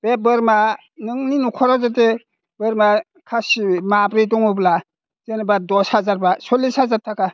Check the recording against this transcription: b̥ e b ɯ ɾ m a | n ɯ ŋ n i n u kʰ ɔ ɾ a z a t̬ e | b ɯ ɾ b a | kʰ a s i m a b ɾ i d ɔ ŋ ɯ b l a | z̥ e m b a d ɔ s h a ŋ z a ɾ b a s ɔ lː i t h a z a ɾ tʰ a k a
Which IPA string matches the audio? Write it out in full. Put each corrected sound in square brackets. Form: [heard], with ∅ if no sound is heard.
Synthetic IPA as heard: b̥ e b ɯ ɾ m a | n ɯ ŋ n i n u kʰ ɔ ɾ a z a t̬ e | b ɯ ɾ [m] a | kʰ a s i m a b ɾ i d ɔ ŋ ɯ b l a | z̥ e [n] b a d ɔ s h a [∅] z a ɾ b a s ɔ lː i [s] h a z a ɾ tʰ a k a